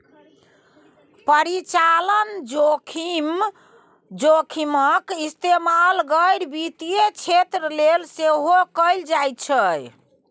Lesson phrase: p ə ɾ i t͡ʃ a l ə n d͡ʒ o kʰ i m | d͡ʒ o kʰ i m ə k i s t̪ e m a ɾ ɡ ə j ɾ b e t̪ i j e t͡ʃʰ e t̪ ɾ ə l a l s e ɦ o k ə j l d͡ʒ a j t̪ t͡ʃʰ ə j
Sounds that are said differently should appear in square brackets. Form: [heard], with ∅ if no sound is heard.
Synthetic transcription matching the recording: p ə ɾ i t͡ʃ a l ə n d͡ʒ o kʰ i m | d͡ʒ o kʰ i m ə k i s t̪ e m a [l] ɡ ə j ɾ b [i] t̪ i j e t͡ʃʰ e t̪ ɾ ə l [e] l s e ɦ o k ə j l d͡ʒ a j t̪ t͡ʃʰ ə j

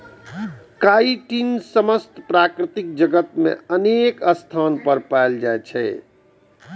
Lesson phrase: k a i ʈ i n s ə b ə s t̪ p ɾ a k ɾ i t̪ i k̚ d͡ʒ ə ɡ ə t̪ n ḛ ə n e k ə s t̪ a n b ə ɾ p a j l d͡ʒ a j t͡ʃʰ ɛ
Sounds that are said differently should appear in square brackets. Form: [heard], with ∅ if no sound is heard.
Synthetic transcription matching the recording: k a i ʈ i n s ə [m] ə s t̪ p ɾ a k ɾ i t̪ i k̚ d͡ʒ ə ɡ ə t̪ [m] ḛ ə n e k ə s [t̪ʰ] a n [p] ə ɾ p a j l d͡ʒ a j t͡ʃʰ ɛ

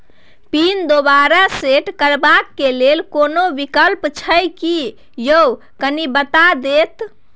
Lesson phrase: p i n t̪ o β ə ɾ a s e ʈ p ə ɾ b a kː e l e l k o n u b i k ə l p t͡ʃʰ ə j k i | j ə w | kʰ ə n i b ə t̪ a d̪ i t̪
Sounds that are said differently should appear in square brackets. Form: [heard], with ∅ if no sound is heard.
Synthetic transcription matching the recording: p i n [d̪] o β [a] ɾ a s e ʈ [k] ə ɾ b a kː e l e l k o n [o] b i k ə l p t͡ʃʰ ə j k i | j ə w | [k] ə n i b ə t̪ a d̪ [e] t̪

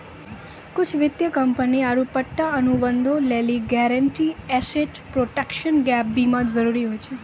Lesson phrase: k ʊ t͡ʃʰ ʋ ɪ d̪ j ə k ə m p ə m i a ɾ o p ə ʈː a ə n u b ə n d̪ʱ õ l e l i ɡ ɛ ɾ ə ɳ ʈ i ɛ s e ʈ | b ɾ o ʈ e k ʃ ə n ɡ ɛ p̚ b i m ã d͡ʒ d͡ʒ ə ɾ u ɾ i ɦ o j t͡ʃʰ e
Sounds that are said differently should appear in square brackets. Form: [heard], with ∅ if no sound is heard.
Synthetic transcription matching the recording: k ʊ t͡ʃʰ ʋ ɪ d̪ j ə k ə m p ə [n] i a ɾ [u] p ə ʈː a ə n u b ə n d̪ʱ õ l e l i ɡ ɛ ɾ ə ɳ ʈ i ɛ s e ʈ | [p] ɾ o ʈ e k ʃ ə n ɡ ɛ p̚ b i m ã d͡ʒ d͡ʒ ə ɾ u ɾ i ɦ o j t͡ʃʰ e

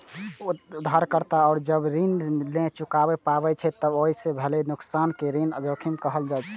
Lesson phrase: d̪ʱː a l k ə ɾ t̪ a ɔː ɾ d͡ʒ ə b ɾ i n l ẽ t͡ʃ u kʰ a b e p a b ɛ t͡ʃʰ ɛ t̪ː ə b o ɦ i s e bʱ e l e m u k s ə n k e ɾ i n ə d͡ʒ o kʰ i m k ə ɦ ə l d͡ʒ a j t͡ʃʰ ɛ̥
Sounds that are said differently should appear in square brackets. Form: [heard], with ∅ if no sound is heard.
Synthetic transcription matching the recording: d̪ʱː a [ɾ] k ə ɾ t̪ a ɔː ɾ d͡ʒ ə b ɾ i n l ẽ t͡ʃ u [k] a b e p a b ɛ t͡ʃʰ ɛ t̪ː ə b o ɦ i s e bʱ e l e [n] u k s [a] n k e ɾ i n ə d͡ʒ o kʰ i m k ə ɦ ə l d͡ʒ a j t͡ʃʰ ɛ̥

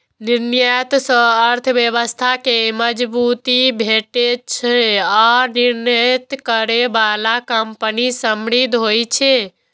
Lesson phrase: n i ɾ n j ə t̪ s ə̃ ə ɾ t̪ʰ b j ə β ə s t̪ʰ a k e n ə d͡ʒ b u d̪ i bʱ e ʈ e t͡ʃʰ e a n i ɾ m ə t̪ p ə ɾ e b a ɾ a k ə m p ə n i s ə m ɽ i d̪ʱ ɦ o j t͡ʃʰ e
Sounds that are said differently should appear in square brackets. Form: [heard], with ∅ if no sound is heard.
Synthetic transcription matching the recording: n i ɾ n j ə t̪ s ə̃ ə ɾ t̪ʰ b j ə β ə s t̪ʰ a k e [m] ə d͡ʒ b u [t̪] i bʱ e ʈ e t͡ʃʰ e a n i ɾ [n] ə t̪ [k] ə ɾ e b a [l] a k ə m p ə n i s ə m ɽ i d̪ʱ ɦ o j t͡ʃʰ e

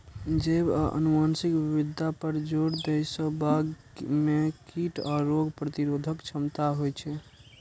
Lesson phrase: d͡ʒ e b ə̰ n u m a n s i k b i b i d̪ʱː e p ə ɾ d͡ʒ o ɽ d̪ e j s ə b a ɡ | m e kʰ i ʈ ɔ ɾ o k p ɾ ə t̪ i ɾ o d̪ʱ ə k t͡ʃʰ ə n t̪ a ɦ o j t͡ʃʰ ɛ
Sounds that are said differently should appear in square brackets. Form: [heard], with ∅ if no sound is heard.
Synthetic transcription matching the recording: d͡ʒ e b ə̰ n u m a n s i k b i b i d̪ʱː [a] p ə ɾ d͡ʒ o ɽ d̪ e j s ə b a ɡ | m e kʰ i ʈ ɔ ɾ o [ɡ] p ɾ ə t̪ i ɾ o d̪ʱ ə k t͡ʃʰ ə [m] t̪ a ɦ o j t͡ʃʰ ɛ

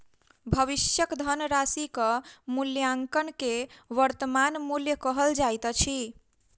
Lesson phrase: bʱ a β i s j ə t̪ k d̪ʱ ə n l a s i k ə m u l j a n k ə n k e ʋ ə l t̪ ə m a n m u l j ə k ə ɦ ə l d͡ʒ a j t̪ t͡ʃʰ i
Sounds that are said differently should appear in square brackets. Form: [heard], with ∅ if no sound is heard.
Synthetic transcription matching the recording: bʱ [ə] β i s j ə [∅] k d̪ʱ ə n [ɾ] a s i k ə m u l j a [ŋ] k ə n k e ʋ ə [ɾ] t̪ ə m a n m u l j ə k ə ɦ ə l d͡ʒ a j t̪ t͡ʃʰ i

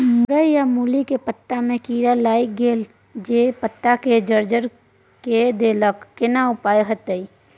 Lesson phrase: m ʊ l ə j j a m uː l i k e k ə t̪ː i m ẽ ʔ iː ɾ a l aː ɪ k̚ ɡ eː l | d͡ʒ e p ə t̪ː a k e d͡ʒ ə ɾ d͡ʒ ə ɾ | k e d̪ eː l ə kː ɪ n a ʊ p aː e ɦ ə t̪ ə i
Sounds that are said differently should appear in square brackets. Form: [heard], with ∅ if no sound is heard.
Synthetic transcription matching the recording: m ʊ [ɾ] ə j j a m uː l i k e [p] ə t̪ː [a] m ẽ [k] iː ɾ a l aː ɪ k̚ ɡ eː l | d͡ʒ e p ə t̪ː a k e d͡ʒ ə ɾ d͡ʒ ə ɾ | k e d̪ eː l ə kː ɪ n a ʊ p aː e ɦ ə t̪ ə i

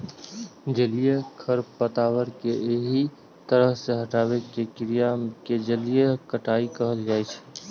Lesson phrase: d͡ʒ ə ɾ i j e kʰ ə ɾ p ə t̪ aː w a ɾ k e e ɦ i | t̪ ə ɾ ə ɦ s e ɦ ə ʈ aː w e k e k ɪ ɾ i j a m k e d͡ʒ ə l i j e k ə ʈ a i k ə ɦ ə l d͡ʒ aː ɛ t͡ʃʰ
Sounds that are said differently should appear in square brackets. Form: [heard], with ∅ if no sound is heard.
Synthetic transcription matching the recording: d͡ʒ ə [l] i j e kʰ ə ɾ p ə t̪ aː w [ə] ɾ k e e ɦ i | t̪ ə ɾ ə ɦ s e ɦ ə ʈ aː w e k e k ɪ ɾ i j a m k e d͡ʒ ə l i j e k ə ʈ a i k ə ɦ ə l d͡ʒ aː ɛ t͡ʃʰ

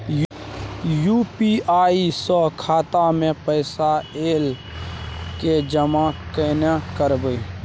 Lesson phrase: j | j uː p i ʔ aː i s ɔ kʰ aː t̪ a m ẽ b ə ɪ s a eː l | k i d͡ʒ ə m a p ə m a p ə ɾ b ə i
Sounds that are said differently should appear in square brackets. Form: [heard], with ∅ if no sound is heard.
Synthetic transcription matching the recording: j | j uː p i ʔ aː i s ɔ kʰ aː t̪ a m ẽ [p] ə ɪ s a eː l | k [e] d͡ʒ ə m a [k] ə [n] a [k] ə ɾ b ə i

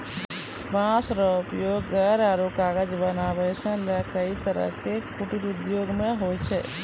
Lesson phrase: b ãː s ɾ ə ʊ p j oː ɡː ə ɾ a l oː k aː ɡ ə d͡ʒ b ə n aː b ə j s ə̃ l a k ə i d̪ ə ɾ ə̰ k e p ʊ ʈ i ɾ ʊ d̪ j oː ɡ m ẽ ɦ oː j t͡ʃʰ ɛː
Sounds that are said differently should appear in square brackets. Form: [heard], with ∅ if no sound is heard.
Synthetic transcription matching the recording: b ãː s ɾ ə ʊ p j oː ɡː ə ɾ a [ɾ] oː k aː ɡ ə d͡ʒ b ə n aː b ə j s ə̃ l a k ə i [t̪] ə ɾ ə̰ k e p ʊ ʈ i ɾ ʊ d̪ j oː ɡ m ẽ ɦ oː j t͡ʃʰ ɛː

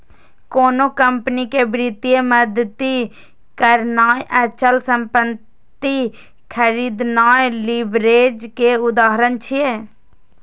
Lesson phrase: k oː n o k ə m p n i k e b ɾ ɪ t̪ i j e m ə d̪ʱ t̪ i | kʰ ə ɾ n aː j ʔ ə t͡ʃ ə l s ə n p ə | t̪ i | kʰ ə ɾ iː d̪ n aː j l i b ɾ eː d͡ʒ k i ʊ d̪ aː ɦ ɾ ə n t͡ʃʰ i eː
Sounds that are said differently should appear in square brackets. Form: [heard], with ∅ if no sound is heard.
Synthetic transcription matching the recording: k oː n o k ə m p n i k e b ɾ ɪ t̪ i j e m ə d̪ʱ t̪ i | [k] ə ɾ n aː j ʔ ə t͡ʃ ə l s ə [m] p ə | t̪ i | kʰ ə ɾ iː d̪ n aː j l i b ɾ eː d͡ʒ k [e] ʊ d̪ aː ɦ ɾ ə n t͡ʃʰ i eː

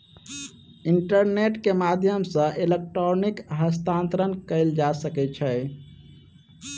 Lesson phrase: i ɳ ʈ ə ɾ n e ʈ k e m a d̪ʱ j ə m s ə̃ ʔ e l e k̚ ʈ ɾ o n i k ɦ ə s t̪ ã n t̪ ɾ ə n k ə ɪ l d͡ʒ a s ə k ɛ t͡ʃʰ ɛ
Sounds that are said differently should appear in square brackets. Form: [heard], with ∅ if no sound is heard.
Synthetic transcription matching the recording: i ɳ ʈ ə ɾ n e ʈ k e m a d̪ʱ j ə m s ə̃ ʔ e l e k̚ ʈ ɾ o n i k ɦ ə s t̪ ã n t̪ ɾ ə n k ə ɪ l d͡ʒ a s ə k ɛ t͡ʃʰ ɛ

